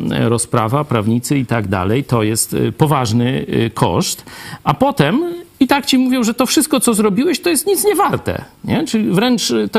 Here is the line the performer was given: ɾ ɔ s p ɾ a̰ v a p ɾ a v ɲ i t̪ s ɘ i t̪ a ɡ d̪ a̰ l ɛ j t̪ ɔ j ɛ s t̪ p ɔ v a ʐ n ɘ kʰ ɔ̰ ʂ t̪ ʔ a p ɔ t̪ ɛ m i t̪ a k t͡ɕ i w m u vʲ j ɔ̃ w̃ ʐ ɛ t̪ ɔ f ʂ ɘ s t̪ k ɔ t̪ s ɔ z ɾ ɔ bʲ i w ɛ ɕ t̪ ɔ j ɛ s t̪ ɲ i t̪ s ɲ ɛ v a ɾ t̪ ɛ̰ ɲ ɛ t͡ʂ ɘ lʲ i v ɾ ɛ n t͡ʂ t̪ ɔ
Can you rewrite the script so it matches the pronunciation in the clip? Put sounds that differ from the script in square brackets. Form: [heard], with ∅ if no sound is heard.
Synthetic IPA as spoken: ɾ ɔ s p ɾ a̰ v a p ɾ a v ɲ i t̪ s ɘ i t̪ a ɡ d̪ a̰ l ɛ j t̪ ɔ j ɛ s t̪ p ɔ v a ʐ n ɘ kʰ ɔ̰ ʂ t̪ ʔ a p ɔ t̪ ɛ m i t̪ a k t͡ɕ i [∅] m u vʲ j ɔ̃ w̃ ʐ ɛ t̪ ɔ f ʂ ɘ s t̪ k ɔ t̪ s ɔ z ɾ ɔ bʲ i w ɛ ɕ t̪ ɔ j ɛ s t̪ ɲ i t̪ s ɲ ɛ v a ɾ t̪ ɛ̰ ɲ ɛ t͡ʂ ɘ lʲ i v ɾ ɛ n t͡ʂ t̪ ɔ